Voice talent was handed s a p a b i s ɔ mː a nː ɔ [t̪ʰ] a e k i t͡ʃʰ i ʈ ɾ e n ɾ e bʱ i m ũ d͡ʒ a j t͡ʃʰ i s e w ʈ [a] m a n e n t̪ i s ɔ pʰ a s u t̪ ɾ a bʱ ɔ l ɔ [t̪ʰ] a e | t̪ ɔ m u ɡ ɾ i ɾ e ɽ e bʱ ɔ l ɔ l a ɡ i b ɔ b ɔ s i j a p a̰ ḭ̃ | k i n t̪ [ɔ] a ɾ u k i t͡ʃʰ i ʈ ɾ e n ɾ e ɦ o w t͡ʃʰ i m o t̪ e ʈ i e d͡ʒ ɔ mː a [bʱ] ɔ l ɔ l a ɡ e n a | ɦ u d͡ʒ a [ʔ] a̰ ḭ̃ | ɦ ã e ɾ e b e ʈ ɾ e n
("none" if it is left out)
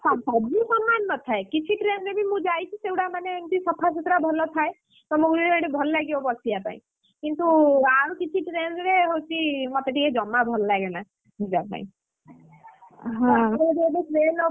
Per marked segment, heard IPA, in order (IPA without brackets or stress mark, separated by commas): t̪ʰ, a, t̪ʰ, u, bʱ, p